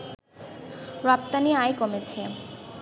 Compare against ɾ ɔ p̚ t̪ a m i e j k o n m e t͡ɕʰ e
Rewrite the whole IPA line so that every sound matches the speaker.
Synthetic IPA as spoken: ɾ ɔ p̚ t̪ a n i a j k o m e t͡ɕʰ e

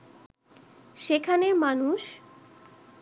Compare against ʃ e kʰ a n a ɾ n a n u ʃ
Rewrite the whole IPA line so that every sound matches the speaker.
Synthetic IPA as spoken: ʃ e kʰ a n e ɾ m a n u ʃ

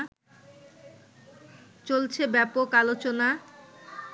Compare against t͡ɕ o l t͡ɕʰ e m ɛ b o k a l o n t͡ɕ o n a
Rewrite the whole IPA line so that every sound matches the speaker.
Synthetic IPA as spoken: t͡ɕ o l t͡ɕʰ e b ɛ p o k a l o t͡ɕ o n a

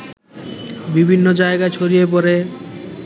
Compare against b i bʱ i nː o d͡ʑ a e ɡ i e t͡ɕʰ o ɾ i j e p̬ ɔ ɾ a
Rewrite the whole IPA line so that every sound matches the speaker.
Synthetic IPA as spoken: b i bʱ i nː o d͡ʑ a e ɡ a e t͡ɕʰ o ɾ i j e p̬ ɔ ɾ e

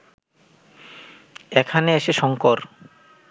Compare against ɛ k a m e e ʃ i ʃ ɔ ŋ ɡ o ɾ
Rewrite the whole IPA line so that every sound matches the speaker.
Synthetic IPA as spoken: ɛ kʰ a n e e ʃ e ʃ ɔ ŋ k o ɾ

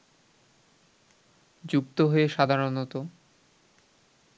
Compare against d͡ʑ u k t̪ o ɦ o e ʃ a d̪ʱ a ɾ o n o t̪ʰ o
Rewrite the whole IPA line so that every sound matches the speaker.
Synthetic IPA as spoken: d͡ʑ u k t̪ o ɦ o e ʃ a d̪ʱ a ɾ o n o t̪ o

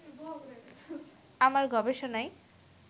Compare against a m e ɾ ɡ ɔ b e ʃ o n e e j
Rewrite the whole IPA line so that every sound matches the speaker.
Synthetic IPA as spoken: a m a ɾ ɡ ɔ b e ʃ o n a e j

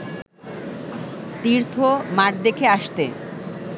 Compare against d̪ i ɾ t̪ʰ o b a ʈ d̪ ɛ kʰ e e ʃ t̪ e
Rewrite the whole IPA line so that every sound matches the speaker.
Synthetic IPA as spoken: t̪ i ɾ t̪ʰ o m a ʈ d̪ e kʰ e a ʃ t̪ e

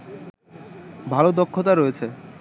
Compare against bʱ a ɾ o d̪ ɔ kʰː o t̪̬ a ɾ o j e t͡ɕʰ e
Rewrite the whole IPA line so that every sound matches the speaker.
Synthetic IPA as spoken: bʱ a l o d̪ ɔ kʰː o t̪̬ a ɾ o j e t͡ɕʰ e

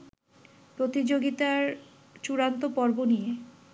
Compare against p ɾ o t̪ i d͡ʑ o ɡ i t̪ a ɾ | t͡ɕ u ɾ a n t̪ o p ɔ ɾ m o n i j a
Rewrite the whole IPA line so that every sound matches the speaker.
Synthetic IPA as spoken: p ɾ o t̪ i d͡ʑ o ɡ i t̪ a ɾ | t͡ɕ u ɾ a n t̪ o p ɔ ɾ b o n i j e

